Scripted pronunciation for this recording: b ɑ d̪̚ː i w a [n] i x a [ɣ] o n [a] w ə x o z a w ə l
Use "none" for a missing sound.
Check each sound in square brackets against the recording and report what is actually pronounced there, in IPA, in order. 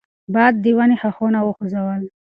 n, x, a

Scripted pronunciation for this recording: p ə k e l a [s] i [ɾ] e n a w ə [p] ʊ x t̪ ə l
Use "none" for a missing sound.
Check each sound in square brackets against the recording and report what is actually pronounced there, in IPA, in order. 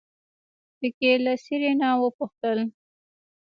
s, ɾ, p

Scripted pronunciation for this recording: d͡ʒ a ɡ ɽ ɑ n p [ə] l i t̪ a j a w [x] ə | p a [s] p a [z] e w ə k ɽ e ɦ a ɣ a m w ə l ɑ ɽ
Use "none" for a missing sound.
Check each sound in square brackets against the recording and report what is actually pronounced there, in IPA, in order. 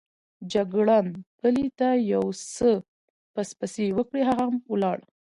ə, s, s, s

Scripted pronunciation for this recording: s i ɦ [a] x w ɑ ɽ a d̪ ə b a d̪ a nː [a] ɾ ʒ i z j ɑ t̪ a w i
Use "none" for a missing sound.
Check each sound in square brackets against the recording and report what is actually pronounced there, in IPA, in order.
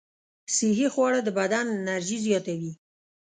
i, a

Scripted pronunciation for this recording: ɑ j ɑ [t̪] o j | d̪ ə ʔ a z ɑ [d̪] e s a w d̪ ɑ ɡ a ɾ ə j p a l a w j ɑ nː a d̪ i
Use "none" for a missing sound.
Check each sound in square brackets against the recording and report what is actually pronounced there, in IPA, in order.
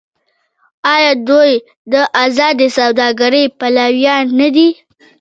d̪, d̪

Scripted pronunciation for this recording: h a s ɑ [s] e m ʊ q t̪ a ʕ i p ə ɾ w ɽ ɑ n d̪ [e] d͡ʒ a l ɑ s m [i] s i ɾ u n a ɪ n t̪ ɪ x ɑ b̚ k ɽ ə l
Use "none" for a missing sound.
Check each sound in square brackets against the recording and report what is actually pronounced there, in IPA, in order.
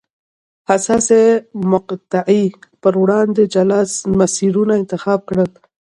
s, e, a

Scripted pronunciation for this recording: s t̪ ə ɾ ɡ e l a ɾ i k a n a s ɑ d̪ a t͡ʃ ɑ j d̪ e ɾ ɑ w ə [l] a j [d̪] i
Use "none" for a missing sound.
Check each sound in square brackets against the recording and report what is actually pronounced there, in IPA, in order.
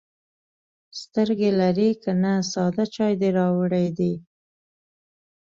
ɽ, d̪

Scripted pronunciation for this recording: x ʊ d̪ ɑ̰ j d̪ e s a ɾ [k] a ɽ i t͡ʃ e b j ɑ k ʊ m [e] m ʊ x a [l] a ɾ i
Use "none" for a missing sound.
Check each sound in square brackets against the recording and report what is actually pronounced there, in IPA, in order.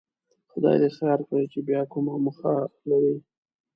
k, a, l

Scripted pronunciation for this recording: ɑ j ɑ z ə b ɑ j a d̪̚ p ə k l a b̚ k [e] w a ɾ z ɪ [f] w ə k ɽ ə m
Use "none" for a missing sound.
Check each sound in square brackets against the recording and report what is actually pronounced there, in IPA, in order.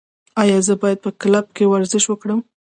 e, ʃ

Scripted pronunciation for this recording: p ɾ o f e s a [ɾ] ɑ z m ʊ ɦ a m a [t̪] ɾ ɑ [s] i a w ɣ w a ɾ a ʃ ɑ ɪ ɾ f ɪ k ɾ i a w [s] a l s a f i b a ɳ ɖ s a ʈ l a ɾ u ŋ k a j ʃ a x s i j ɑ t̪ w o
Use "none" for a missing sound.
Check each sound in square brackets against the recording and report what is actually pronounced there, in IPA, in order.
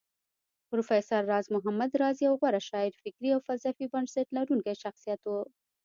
ɾː, d̪, z, f

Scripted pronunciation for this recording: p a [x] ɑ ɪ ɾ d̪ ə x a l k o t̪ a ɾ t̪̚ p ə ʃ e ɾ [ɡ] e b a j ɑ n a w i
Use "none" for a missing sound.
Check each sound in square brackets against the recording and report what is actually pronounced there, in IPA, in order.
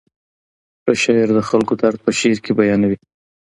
ʃ, k

